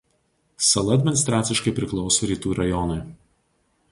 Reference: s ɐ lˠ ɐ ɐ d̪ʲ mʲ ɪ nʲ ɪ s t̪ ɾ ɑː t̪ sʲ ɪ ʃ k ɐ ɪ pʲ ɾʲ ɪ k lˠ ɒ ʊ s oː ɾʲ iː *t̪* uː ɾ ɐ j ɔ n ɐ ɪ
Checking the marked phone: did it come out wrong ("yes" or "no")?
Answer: no